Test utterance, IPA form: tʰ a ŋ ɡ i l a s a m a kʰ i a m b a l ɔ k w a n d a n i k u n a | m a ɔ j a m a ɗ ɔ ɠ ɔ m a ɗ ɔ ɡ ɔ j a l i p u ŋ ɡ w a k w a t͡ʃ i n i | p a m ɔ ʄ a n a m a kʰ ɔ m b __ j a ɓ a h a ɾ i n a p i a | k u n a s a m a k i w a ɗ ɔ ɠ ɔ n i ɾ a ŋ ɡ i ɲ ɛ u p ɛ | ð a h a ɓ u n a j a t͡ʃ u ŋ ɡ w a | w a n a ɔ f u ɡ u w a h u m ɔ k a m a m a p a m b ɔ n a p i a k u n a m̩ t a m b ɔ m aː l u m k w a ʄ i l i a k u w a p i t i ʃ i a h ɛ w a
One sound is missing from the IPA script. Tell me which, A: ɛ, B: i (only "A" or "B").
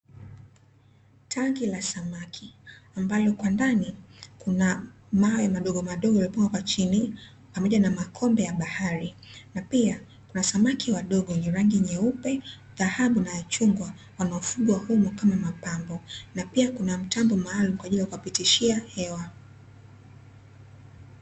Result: A